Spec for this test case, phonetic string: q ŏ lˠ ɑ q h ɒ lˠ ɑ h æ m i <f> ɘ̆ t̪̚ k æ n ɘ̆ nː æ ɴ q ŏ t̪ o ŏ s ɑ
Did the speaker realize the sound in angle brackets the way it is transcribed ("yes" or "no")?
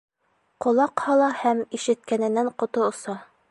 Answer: no